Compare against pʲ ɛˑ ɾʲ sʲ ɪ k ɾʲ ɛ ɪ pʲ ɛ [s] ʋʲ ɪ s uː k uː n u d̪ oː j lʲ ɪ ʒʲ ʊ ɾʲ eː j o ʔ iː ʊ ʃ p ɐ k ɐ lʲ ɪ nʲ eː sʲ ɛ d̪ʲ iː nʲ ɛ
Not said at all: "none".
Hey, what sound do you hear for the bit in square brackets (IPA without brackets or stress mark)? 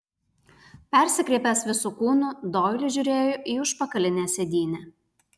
s